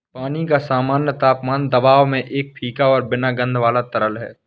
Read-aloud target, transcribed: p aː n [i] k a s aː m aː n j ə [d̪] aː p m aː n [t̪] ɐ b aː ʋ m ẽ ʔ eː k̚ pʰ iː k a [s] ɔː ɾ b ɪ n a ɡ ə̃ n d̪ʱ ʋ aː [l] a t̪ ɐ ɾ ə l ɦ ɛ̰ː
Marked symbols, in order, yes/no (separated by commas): yes, no, no, no, yes